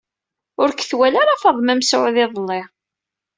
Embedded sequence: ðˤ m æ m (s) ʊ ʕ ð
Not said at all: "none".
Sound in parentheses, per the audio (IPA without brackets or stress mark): s